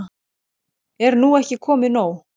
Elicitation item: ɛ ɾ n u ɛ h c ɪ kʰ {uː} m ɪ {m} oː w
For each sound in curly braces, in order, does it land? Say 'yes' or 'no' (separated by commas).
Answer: no, no